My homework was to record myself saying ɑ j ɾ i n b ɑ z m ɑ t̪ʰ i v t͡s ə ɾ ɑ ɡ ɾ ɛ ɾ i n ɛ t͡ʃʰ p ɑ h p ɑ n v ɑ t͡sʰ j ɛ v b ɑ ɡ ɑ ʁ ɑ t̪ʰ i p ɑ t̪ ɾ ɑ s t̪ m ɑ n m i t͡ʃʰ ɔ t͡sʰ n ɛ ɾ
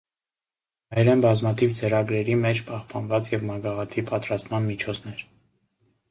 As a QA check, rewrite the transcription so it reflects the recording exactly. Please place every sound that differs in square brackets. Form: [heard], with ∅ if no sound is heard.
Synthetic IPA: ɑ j ɾ [ɛ] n b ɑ z m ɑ t̪ʰ i v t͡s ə ɾ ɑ ɡ ɾ ɛ ɾ i [m] ɛ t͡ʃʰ p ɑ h p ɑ n v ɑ [t͡s] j ɛ v [m] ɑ ɡ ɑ ʁ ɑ t̪ʰ i p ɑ t̪ ɾ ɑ s t̪ m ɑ n m i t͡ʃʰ ɔ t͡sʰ n ɛ ɾ